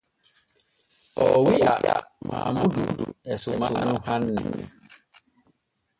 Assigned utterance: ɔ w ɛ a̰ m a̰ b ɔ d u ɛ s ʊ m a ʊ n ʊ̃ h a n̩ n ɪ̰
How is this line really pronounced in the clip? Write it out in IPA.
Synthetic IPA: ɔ w i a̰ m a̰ m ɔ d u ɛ s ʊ m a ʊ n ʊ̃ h a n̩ n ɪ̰